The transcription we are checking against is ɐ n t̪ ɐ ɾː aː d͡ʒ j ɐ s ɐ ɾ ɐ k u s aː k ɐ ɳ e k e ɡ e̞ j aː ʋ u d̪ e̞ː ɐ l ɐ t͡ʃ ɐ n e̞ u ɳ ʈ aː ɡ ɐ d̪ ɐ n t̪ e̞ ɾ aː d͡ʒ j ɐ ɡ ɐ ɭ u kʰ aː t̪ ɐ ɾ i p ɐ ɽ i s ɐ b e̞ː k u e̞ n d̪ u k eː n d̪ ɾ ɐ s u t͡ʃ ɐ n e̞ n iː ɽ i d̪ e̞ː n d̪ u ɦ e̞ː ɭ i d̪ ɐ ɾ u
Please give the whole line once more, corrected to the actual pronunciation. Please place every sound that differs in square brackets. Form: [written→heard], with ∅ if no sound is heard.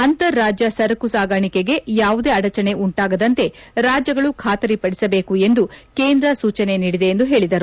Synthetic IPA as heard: ɐ n t̪ ɐ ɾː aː d͡ʒ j ɐ s ɐ ɾ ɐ k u s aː [k→ɡ] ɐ ɳ [e→i] k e ɡ e̞ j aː ʋ u d̪ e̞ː ɐ [l→ɽ] ɐ t͡ʃ ɐ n e̞ u ɳ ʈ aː ɡ ɐ d̪ ɐ n t̪ e̞ ɾ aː d͡ʒ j ɐ ɡ ɐ ɭ u kʰ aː t̪ ɐ ɾ i p ɐ ɽ i s ɐ b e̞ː k u e̞ n d̪ u k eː n d̪ ɾ ɐ s [u→uː] t͡ʃ ɐ n e̞ n iː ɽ i d̪ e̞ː n d̪ u ɦ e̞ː ɭ i d̪ ɐ ɾ u